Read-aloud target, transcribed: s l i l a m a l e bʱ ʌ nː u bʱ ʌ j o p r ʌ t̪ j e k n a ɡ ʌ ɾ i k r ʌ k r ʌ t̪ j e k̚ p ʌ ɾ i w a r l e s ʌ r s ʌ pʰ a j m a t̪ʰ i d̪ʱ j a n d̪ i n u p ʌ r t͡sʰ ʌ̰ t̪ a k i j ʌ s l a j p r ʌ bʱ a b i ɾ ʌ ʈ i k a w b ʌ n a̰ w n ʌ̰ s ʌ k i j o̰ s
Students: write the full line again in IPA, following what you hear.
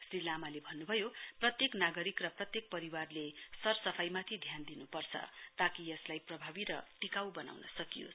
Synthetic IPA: s r i l a m a l e bʱ ʌ nː u bʱ ʌ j o p r ʌ t̪ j e k n a ɡ ʌ ɾ i k r ʌ p r ʌ t̪ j e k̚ p ʌ ɾ i w a r l e s ʌ r s ʌ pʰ a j m a t̪ʰ i d̪ʱ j a n d̪ i n u p ʌ r t͡sʰ ʌ̰ t̪ a k i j ʌ s l a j p r ʌ bʱ a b i ɾ ʌ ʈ i k a w b ʌ n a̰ w n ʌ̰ s ʌ k i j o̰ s

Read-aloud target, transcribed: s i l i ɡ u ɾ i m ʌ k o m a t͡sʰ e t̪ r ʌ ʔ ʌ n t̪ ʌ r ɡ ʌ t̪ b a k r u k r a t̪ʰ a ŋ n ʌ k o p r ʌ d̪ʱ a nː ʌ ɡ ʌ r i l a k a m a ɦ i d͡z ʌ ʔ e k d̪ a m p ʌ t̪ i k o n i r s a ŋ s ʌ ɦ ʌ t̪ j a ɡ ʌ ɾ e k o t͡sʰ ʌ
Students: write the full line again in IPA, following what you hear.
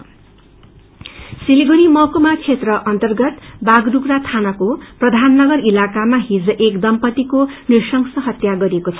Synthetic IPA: s i l i ɡ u ɾ i m ʌ k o m a t͡sʰ e t̪ r ʌ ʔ ʌ n t̪ ʌ r ɡ ʌ t̪ b a ɡ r u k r a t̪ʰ a n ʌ k o p r ʌ d̪ʱ a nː ʌ ɡ ʌ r i l a k a m a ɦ i d͡z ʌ ʔ e k d̪ ʌ m p ʌ t̪ i k o n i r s ʌ ŋ s ʌ ɦ ʌ t̪ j a ɡ ʌ ɾ e k o t͡sʰ ʌ

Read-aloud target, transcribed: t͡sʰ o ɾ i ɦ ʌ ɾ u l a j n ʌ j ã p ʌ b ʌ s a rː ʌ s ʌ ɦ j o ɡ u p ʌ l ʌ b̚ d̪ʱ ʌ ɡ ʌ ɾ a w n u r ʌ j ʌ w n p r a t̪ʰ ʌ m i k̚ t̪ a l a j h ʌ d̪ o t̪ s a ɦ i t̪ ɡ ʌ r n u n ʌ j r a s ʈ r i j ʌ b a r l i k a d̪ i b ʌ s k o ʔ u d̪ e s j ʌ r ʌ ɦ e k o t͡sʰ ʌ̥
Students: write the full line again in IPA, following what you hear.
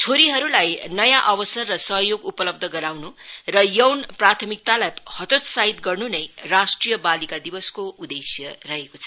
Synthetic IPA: t͡sʰ o ɾ i ɦ ʌ ɾ u l a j n ʌ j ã ʔ ʌ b ʌ s ʌ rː ʌ s ʌ ɦ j o ɡ u p ʌ l ʌ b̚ d̪ʱ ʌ ɡ ʌ ɾ a w n u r ʌ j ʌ w n p r a t̪ʰ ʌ m i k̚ t̪ a l a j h ʌ t̪ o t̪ s a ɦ i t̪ ɡ ʌ r n u n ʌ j r a s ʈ r i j ʌ b a l i k a d̪ i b ʌ s k o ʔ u d̪ e s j ʌ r ʌ ɦ e k o t͡sʰ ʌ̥

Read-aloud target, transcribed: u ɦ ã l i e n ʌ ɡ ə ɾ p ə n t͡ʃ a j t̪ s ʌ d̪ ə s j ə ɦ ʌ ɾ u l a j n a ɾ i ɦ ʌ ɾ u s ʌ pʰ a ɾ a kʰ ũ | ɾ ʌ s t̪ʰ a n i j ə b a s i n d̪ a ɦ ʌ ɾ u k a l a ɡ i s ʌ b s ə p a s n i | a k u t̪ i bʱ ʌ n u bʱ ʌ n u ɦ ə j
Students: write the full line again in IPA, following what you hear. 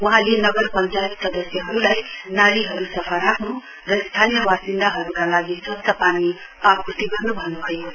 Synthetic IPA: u ɦ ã l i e n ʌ ɡ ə ɾ p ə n t͡ʃ a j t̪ s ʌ d̪ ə s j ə ɦ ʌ ɾ u l a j n a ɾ i ɦ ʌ ɾ u s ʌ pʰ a ɾ a kʰ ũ | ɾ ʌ s t̪ʰ a n i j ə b a s i n d̪ a ɦ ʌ ɾ u k a l a ɡ i s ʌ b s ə p a n i | a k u t̪ i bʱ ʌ n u bʱ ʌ n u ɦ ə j

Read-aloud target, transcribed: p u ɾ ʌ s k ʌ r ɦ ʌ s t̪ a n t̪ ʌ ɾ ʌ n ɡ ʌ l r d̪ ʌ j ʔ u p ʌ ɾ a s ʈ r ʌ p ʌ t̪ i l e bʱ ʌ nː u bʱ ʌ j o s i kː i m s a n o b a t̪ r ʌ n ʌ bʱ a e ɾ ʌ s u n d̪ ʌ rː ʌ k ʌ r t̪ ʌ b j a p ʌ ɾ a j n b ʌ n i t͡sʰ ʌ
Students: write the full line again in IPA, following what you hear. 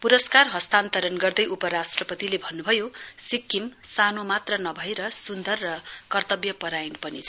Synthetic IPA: p u ɾ ʌ s k a r ɦ ʌ s t̪ a n t̪ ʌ ɾ ʌ n ɡ ʌ r d̪ ʌ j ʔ u p ʌ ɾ a s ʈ r ʌ p ʌ t̪ i l e bʱ ʌ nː u bʱ ʌ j o s i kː i m s a n o m a t̪ r ʌ n ʌ bʱ ʌ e ɾ ʌ s u n d̪ ʌ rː ʌ k ʌ r t̪ ʌ b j ʌ p ʌ ɾ a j n p ʌ n i t͡sʰ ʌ

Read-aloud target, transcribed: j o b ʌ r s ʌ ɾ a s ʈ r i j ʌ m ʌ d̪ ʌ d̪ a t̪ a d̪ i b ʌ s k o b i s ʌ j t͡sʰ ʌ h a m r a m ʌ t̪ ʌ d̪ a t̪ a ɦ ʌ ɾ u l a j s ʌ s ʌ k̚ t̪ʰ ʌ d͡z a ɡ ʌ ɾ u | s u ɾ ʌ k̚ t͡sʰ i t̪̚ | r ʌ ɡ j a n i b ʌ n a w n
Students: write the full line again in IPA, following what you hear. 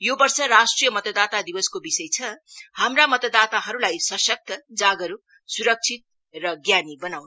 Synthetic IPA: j o b ʌ r s ʌ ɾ a s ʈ r i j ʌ m ʌ t̪ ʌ d̪ a t̪ a d̪ i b ʌ s k o b i s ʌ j t͡sʰ ʌ h a m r a m ʌ t̪ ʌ d̪ a t̪ a ɦ ʌ ɾ u l a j s ʌ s ʌ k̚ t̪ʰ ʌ d͡z a ɡ ʌ ɾ u | s u ɾ ʌ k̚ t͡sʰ i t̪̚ | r ʌ ɡ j a n i b ʌ n a w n

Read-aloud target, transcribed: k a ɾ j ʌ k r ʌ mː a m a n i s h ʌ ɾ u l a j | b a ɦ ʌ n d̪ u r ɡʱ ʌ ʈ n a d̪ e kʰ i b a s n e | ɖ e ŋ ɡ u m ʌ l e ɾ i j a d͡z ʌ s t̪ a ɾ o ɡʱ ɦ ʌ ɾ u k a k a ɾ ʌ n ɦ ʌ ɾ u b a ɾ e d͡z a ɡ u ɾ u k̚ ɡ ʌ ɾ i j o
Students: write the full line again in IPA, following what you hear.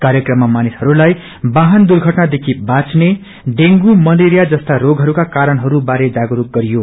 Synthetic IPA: k a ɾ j ʌ k r ʌ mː a m a n i s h ʌ ɾ u l a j | b a ɦ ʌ n d̪ u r ɡʱ ʌ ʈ n a d̪ e kʰ i b a t͡s n e | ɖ e ŋ ɡ u m ʌ l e ɾ i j a d͡z ʌ s t̪ a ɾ o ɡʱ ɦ ʌ ɾ u k a k a ɾ ʌ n ɦ ʌ ɾ u b a ɾ e d͡z a ɡ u ɾ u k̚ ɡ ʌ ɾ i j o

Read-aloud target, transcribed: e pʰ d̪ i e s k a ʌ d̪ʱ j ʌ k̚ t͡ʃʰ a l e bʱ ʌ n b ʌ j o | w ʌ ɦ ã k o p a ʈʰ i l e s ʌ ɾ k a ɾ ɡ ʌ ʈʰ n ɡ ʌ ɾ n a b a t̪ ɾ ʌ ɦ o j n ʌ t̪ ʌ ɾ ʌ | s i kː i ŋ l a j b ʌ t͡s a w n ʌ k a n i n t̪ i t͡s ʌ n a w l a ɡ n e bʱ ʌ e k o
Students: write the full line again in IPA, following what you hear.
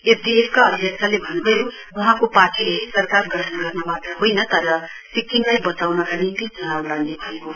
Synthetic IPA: e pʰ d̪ i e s k a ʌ d̪ʱ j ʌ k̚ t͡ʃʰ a l e bʱ ʌ n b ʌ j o | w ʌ ɦ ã k o p a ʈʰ i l e s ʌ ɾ k a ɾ ɡ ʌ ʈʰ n ɡ ʌ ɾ n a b a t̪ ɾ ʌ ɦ o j n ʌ t̪ ʌ ɾ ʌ | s i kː i ŋ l a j b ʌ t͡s a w n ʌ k a n i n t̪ i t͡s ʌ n a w l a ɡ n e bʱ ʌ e k o

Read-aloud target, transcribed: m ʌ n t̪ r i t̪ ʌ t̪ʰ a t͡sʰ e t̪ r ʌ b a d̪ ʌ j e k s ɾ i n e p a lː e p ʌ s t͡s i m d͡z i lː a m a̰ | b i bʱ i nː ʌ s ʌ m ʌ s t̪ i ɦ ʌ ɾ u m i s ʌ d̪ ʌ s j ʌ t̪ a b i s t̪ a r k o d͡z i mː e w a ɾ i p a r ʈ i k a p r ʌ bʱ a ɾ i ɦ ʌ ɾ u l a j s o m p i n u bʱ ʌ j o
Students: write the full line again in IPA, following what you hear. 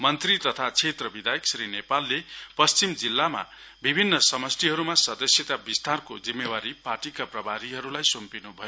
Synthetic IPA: m ʌ n t̪ r i t̪ ʌ t̪ʰ a t͡sʰ e t̪ r ʌ b i d̪ a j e k s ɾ i n e p a lː e p ʌ s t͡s i m d͡z i lː a m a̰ | b i bʱ i nː ʌ s ʌ m ʌ s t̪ i ɦ ʌ ɾ u m a s ʌ d̪ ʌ s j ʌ t̪ a b i s t̪ a r k o d͡z i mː e w a ɾ i p a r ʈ i k a p r ʌ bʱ a ɾ i ɦ ʌ ɾ u l a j s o m p i n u bʱ ʌ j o

